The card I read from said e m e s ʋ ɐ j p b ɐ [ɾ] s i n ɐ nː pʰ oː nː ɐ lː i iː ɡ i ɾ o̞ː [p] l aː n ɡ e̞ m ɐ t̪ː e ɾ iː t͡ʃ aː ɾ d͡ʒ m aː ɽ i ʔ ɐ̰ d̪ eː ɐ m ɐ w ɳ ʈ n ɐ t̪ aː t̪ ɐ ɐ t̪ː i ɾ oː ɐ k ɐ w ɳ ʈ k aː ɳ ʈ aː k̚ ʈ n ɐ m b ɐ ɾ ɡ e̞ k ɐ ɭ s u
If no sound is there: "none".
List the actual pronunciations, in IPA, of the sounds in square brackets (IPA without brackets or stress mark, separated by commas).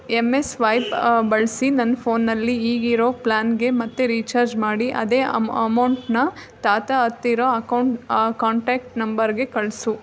ɭ, p